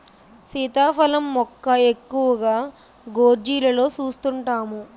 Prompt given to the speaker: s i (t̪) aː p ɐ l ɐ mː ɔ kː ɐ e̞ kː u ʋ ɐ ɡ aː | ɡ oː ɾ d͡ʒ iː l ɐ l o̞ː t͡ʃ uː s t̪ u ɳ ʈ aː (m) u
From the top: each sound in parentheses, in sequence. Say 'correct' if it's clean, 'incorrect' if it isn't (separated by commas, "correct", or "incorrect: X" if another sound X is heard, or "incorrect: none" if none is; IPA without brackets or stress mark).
correct, correct